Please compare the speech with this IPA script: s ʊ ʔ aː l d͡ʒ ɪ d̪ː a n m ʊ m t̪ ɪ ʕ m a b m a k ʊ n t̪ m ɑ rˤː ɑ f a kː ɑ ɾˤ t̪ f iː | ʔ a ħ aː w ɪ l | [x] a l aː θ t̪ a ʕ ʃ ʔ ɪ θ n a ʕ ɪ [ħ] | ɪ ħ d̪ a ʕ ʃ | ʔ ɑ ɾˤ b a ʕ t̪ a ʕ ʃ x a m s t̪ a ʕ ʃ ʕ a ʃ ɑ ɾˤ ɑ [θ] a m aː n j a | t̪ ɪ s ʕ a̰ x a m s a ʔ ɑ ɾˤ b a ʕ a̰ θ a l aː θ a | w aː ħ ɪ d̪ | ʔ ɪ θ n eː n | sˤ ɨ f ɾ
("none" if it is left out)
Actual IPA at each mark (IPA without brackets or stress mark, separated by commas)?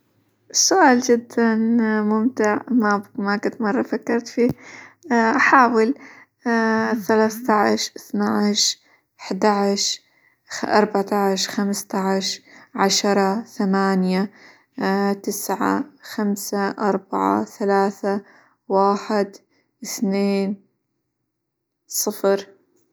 θ, ʃ, θ